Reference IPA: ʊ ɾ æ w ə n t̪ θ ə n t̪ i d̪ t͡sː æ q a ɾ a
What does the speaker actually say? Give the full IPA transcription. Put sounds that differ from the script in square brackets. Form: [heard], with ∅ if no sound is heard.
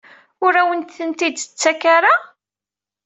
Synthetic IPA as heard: ʊ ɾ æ w ə n t̪ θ ə n t̪ i d̪ t͡sː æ [k] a ɾ a